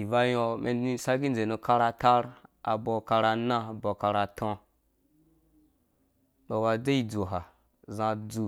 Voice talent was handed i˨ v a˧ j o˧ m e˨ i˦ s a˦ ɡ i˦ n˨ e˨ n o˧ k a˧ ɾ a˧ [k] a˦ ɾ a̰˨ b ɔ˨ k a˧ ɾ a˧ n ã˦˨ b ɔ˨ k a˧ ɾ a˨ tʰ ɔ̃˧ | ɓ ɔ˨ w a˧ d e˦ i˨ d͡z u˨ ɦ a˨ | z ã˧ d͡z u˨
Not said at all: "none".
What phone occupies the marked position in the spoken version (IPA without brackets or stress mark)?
t